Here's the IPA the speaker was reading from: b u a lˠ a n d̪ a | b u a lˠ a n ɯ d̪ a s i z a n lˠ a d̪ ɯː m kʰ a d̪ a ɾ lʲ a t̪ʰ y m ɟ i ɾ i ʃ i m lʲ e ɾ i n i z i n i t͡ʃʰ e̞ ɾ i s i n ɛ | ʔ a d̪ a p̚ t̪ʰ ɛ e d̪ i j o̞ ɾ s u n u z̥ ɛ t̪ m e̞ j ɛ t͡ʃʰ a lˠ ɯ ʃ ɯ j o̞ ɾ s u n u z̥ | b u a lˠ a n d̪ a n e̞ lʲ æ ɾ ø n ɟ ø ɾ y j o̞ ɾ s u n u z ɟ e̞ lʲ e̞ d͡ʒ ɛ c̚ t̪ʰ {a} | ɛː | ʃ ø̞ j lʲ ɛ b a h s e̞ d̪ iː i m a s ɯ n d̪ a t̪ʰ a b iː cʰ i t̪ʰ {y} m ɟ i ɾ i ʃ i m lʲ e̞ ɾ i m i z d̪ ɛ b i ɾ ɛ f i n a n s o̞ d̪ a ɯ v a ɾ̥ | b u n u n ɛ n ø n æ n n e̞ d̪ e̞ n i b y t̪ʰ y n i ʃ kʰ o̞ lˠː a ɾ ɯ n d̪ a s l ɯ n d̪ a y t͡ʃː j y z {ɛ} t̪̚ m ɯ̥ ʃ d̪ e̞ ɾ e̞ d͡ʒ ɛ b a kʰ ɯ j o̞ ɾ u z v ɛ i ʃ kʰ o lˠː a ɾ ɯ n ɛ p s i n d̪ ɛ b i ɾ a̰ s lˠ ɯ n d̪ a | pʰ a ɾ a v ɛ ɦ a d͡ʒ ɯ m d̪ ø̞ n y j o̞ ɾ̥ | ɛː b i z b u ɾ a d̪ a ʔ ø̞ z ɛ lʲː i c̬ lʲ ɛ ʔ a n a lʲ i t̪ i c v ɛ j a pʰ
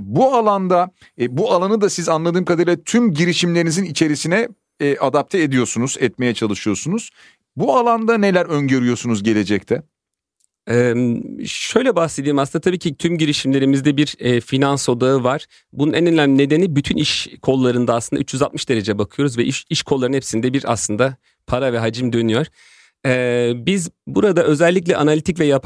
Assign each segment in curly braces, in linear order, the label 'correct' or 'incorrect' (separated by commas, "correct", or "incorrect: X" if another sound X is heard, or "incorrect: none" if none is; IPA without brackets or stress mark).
incorrect: ɛ, correct, incorrect: a